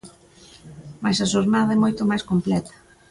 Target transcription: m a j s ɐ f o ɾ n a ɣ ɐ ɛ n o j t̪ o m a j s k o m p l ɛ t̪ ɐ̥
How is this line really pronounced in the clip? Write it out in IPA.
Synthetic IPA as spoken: m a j s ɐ ʃ o ɾ n a ð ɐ ɛ m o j t̪ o m a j s k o m p l ɛ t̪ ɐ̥